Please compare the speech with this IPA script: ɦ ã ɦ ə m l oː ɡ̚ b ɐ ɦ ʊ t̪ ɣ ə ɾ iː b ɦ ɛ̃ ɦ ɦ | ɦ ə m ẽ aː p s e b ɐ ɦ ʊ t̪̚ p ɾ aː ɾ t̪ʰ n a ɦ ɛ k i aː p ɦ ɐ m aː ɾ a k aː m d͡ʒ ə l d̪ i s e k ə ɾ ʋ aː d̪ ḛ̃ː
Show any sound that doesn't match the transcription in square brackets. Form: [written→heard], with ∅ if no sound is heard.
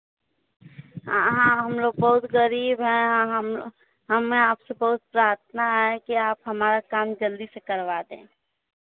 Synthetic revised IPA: ɦ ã ɦ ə m l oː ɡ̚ b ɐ ɦ ʊ t̪ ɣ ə ɾ iː b ɦ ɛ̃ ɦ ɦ | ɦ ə m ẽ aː p s e b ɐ ɦ ʊ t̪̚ p ɾ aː ɾ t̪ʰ n a ɦ ɛ k i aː p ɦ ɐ m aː ɾ a k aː m d͡ʒ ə l d̪ i s e k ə ɾ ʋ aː d̪ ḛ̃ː

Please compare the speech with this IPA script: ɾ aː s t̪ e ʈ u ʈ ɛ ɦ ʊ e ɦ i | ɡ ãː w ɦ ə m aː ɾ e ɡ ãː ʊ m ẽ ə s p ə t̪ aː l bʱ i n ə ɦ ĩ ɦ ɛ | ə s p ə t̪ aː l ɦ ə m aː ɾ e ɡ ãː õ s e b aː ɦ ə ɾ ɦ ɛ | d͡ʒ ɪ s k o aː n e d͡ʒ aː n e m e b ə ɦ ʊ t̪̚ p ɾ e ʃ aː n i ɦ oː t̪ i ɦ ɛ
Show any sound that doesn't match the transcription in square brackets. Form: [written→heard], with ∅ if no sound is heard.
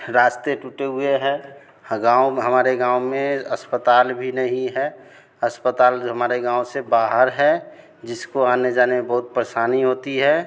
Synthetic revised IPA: ɾ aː s t̪ e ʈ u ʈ [ɛ→e] ɦ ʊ e ɦ [i→ɛ] | ɡ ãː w ɦ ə m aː ɾ e ɡ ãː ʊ m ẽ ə s p ə t̪ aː l bʱ i n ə ɦ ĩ ɦ ɛ | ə s p ə t̪ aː l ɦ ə m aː ɾ e ɡ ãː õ s e b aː ɦ ə ɾ ɦ ɛ | d͡ʒ ɪ s k o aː n e d͡ʒ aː n e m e b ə ɦ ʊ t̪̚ p ɾ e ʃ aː n i ɦ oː t̪ i ɦ ɛ

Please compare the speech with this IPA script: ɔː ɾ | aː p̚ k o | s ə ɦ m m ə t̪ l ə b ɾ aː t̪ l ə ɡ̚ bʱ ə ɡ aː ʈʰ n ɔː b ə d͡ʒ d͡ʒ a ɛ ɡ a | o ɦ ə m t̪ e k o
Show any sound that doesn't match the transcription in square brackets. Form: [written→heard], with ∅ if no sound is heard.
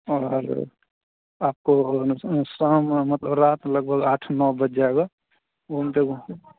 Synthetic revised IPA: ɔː ɾ | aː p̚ k o | s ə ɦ m m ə t̪ l ə b ɾ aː t̪ l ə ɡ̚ bʱ ə ɡ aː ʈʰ n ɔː b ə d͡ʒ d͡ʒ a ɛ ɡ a | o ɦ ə m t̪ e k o

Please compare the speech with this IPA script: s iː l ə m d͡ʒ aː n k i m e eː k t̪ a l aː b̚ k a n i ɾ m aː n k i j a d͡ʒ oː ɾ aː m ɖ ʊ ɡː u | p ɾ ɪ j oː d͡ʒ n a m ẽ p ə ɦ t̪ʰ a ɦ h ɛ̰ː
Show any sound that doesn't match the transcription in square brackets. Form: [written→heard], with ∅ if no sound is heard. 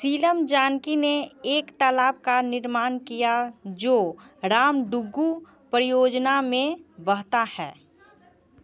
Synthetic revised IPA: s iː l ə m d͡ʒ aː n k i [m→n] e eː k t̪ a l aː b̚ k a n [i→ɪ] ɾ m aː n k i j a d͡ʒ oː ɾ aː m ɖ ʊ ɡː u | p ɾ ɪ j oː d͡ʒ n a m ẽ [p→b] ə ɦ [t̪ʰ→t̪] a [ɦ→∅] h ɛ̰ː

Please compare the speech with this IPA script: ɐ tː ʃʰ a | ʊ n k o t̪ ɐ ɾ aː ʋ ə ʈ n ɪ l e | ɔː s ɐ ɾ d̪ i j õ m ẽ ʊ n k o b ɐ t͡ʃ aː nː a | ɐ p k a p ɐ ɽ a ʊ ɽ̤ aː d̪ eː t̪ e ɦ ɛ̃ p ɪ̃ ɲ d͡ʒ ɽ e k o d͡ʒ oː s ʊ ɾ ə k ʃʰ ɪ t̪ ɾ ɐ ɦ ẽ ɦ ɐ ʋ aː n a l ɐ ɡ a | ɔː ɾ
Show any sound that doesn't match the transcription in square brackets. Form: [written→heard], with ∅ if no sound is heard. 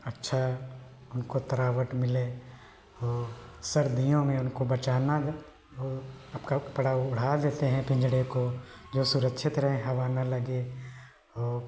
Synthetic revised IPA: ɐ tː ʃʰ a | ʊ n k o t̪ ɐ ɾ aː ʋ ə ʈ [n→m] ɪ l e | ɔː s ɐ ɾ d̪ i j õ m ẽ ʊ n k o b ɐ t͡ʃ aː [nː→n] a | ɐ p k a p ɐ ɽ a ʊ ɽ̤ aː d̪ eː t̪ e ɦ ɛ̃ p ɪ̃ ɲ d͡ʒ ɽ e k o d͡ʒ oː s ʊ ɾ ə k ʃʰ ɪ t̪ ɾ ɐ ɦ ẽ ɦ ɐ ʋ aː n a l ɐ ɡ [a→e] | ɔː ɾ

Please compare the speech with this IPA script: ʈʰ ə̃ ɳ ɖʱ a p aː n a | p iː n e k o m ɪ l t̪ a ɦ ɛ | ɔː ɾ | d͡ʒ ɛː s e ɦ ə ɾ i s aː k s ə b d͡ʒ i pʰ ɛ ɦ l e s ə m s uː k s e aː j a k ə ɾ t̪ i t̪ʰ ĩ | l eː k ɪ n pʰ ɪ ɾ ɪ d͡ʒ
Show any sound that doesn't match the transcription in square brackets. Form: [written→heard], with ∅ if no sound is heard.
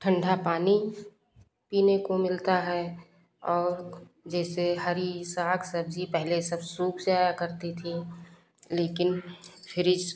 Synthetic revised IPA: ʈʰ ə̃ ɳ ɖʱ a p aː n [a→i] | p iː n e k o m ɪ l t̪ a ɦ ɛ | ɔː ɾ | d͡ʒ ɛː s e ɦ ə ɾ i s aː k s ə b d͡ʒ i [pʰ→p] ɛ ɦ l e s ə [m→b] s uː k s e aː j a k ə ɾ t̪ i t̪ʰ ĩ | l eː k ɪ n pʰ ɪ ɾ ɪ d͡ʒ

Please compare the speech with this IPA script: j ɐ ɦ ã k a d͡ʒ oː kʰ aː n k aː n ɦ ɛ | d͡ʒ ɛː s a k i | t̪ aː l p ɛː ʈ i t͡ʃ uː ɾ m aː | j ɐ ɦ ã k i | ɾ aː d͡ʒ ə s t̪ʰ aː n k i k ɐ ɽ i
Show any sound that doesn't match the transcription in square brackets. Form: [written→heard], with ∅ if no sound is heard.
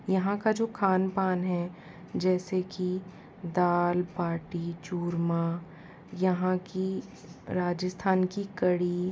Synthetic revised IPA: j ɐ ɦ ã k a d͡ʒ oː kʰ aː n [k→p] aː n ɦ ɛ | d͡ʒ ɛː s [a→e] k i | [t̪→d̪] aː l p [ɛː→aː] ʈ i t͡ʃ uː ɾ m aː | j ɐ ɦ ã k i | ɾ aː d͡ʒ ə s t̪ʰ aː n k i k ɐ ɽ i

